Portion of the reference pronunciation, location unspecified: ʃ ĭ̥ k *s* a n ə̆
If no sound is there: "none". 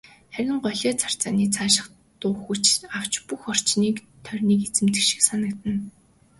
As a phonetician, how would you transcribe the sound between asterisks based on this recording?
s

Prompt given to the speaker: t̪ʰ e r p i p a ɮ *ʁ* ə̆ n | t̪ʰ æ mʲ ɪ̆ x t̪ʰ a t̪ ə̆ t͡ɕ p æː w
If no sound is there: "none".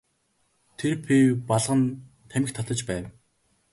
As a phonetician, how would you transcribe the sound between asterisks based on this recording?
ʁ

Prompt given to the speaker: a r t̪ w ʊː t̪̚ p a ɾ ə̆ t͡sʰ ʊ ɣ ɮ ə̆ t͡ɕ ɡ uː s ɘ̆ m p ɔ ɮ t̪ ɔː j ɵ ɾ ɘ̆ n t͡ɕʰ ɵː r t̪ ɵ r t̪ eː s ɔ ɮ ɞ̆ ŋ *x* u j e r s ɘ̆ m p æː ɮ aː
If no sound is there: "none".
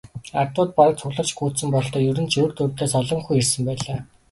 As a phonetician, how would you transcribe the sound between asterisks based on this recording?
x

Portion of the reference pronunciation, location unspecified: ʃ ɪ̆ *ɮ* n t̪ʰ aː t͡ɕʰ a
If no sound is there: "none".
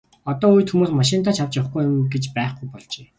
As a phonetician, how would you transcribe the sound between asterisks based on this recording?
none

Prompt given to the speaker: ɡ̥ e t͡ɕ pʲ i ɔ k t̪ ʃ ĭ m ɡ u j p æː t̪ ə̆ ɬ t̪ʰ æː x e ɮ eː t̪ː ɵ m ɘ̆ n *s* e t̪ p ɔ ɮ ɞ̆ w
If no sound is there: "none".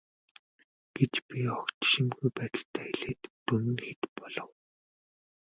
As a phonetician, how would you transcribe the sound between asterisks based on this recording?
x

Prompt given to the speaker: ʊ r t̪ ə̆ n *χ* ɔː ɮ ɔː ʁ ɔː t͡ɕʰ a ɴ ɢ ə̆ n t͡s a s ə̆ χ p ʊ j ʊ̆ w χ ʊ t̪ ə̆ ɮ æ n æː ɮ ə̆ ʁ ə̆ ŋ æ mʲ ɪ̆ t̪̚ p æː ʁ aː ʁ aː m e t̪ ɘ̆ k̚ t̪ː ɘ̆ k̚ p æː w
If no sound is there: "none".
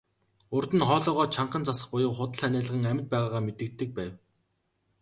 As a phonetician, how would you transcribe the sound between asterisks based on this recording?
χ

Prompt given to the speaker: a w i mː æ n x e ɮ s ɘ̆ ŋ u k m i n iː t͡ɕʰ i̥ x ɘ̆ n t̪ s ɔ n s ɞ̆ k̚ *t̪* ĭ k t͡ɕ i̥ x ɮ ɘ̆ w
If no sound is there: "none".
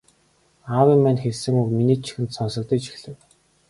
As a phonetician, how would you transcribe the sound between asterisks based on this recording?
t̪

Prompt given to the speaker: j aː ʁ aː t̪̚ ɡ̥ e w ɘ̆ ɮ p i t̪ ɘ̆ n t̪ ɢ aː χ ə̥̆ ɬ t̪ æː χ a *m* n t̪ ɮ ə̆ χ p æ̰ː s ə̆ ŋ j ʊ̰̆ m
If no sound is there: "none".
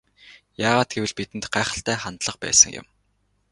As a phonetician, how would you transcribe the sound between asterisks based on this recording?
none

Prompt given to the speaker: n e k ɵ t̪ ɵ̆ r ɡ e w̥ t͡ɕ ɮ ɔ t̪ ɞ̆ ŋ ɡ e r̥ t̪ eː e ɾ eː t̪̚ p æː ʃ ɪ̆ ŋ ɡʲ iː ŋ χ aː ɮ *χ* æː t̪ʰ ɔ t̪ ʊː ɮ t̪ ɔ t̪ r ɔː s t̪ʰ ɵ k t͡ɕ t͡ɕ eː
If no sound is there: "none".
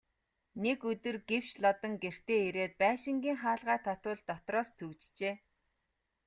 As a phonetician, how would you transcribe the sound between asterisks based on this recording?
ʁ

